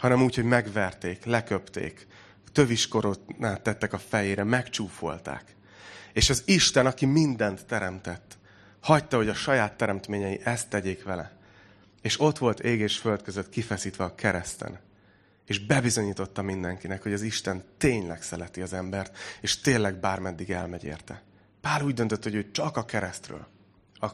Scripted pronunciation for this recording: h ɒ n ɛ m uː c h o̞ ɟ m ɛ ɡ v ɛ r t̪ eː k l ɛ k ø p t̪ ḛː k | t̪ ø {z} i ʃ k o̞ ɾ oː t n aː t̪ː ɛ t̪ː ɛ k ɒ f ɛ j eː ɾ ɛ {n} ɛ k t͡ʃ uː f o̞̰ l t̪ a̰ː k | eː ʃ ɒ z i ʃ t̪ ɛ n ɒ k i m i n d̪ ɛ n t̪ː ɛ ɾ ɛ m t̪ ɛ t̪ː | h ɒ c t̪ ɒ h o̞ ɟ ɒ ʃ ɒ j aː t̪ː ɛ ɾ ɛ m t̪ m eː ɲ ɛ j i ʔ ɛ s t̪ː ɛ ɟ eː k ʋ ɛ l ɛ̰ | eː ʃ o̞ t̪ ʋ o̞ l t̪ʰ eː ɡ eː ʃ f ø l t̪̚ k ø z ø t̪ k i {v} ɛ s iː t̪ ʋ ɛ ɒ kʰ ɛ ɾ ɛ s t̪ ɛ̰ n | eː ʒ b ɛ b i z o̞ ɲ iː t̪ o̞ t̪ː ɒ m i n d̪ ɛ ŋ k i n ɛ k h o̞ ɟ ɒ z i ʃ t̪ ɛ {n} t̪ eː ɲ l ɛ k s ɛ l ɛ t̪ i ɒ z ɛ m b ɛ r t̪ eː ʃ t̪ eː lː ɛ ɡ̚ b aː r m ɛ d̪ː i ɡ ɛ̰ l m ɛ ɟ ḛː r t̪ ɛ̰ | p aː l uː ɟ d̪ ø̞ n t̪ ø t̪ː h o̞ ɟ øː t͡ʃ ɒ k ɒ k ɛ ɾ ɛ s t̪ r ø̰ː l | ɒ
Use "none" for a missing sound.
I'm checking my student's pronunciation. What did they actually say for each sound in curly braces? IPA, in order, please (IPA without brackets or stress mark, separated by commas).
v, m, f, n